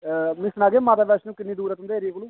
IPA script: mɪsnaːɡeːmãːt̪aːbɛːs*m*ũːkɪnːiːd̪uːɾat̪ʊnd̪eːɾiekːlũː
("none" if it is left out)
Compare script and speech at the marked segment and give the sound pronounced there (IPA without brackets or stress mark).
n